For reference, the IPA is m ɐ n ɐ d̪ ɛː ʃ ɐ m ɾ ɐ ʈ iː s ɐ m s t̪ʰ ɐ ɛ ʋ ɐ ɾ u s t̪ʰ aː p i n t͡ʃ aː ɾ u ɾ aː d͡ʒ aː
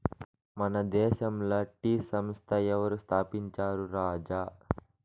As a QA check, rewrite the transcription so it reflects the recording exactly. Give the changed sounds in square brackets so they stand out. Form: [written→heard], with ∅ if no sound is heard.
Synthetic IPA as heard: m ɐ n ɐ d̪ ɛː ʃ ɐ m [ɾ→l] ɐ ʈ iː s ɐ m s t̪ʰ ɐ ɛ ʋ ɐ ɾ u s t̪ʰ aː p i [n→ɲ] t͡ʃ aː ɾ u ɾ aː d͡ʒ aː